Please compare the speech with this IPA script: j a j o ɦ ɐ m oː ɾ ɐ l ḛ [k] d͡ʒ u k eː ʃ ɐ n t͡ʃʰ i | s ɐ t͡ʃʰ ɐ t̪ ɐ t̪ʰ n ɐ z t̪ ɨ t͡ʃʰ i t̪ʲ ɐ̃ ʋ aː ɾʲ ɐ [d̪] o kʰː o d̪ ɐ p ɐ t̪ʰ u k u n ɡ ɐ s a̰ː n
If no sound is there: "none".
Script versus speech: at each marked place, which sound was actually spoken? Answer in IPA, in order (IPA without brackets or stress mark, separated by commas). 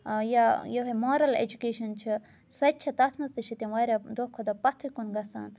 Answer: none, d̪